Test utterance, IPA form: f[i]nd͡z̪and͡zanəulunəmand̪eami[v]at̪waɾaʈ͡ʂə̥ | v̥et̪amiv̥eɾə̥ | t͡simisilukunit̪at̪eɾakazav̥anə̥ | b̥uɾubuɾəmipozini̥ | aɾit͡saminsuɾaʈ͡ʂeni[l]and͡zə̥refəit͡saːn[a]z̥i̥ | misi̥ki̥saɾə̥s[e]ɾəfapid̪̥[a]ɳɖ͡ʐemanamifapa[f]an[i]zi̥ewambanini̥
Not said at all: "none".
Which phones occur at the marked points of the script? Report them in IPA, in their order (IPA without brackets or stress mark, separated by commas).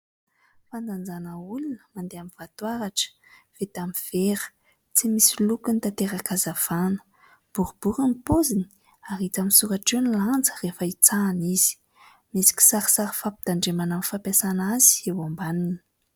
a, v, l, i, a, a, s, a